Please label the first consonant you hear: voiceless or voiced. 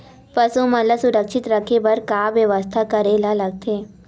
voiceless